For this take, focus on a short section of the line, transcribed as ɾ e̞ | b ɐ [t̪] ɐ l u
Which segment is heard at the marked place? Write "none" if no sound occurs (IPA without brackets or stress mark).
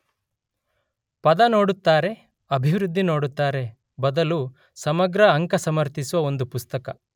d̪